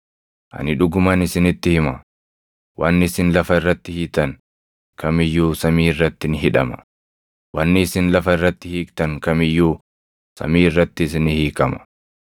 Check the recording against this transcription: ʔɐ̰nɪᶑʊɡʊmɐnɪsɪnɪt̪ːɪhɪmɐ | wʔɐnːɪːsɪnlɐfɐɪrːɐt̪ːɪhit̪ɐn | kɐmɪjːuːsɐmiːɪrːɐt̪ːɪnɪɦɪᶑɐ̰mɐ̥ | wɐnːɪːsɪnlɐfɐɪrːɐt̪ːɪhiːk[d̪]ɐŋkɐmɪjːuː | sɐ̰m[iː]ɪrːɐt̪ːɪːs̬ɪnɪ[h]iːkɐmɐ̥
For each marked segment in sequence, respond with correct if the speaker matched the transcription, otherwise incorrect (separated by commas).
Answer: incorrect, correct, correct